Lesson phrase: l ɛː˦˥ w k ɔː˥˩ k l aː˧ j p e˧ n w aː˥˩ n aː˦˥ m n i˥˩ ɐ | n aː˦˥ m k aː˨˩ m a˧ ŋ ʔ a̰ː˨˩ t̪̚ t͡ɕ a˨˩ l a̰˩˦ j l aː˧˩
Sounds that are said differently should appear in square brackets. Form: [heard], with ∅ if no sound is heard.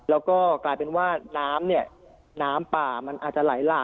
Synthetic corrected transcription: l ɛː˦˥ w k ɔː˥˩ k l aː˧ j p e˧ n w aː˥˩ n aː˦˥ m n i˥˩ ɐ | n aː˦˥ m [p] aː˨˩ m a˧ [n] ʔ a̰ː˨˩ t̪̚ t͡ɕ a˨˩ l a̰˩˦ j l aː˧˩